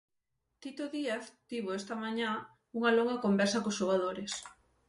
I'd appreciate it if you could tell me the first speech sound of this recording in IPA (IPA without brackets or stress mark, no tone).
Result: t̪